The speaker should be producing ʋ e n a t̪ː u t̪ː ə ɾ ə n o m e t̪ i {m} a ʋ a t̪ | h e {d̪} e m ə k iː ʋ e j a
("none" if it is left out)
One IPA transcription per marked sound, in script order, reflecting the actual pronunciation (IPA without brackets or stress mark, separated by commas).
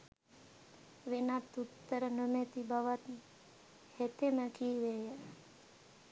b, t̪